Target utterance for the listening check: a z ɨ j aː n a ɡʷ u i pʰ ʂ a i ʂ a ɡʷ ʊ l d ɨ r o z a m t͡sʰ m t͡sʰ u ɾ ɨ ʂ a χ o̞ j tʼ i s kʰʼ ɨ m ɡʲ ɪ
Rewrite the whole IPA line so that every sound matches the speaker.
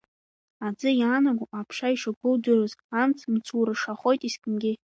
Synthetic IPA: a d͡z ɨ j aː n a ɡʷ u a pʰ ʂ a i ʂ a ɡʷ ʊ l d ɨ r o z a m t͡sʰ m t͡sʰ u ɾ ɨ ʂ a χ o̞ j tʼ i s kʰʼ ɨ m ɡʲ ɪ